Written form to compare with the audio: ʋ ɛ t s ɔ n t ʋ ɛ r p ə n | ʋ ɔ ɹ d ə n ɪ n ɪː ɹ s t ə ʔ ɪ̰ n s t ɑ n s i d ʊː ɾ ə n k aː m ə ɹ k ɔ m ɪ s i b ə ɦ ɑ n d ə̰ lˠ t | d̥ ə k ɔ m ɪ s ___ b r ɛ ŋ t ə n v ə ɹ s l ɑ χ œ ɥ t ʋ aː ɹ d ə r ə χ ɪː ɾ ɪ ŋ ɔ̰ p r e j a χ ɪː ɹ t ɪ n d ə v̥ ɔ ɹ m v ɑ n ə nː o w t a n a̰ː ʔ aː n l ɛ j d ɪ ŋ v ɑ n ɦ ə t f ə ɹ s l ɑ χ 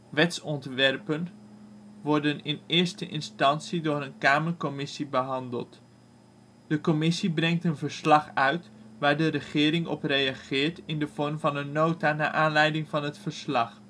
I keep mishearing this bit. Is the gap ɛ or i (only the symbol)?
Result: i